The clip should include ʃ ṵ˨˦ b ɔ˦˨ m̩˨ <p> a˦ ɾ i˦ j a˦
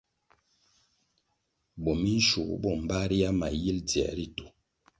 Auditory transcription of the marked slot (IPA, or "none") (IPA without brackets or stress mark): b